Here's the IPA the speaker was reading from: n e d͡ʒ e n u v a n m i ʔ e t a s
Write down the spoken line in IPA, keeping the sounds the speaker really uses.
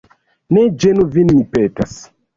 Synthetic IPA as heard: n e d͡ʒ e n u v i n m i p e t a s